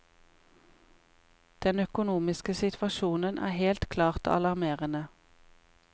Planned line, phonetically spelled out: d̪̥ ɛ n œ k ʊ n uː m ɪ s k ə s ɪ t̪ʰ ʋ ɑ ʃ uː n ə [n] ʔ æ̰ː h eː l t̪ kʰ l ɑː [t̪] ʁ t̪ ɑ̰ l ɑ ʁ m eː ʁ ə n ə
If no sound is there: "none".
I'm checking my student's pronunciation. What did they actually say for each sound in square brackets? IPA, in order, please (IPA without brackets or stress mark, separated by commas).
n, none